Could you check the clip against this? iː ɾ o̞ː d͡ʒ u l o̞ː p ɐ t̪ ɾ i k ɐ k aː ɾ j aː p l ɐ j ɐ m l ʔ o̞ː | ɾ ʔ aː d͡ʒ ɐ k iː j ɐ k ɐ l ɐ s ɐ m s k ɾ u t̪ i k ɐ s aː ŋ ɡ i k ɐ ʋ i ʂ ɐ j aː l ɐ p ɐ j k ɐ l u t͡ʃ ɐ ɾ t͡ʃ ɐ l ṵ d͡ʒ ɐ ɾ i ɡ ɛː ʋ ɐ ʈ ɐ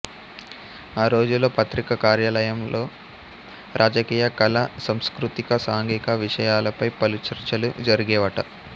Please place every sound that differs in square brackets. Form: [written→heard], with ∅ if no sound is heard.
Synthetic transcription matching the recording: [iː→aː] ɾ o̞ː d͡ʒ u l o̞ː p ɐ t̪ ɾ i k ɐ k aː ɾ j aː [p→∅] l ɐ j ɐ m l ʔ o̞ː | ɾ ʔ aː d͡ʒ ɐ k iː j ɐ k ɐ l ɐ s ɐ m s k ɾ u t̪ i k ɐ s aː ŋ ɡ i k ɐ ʋ i ʂ ɐ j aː l ɐ p ɐ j [k→p] ɐ l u t͡ʃ ɐ ɾ t͡ʃ ɐ l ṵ d͡ʒ ɐ ɾ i ɡ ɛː ʋ ɐ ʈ ɐ